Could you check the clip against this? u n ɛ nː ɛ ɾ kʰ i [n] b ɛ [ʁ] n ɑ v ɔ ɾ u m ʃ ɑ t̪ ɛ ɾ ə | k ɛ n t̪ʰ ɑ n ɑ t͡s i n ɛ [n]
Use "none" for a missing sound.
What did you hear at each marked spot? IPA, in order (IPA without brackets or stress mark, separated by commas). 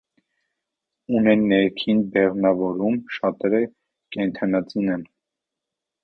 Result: n, ʁ, n